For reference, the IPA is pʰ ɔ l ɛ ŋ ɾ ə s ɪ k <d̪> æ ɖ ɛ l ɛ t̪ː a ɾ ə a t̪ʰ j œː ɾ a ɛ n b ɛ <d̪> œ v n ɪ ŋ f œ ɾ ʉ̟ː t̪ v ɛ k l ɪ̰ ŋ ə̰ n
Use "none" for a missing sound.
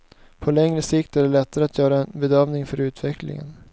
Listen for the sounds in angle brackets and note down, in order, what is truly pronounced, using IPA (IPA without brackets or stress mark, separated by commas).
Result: t̪, d̪